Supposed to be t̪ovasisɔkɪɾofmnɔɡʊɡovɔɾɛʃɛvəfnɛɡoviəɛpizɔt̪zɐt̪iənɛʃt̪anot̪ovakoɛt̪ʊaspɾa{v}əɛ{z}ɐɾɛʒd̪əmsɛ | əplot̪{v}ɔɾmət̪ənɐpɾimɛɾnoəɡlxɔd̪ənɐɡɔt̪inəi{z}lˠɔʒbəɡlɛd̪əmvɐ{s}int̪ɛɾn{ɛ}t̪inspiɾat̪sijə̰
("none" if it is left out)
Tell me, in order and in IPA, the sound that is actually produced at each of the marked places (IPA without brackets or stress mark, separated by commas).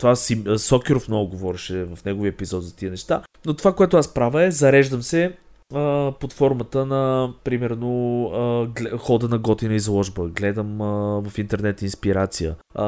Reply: v, z, f, z, f, ɛ